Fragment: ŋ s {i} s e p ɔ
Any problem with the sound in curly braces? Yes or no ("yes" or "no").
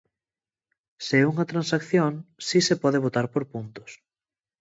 no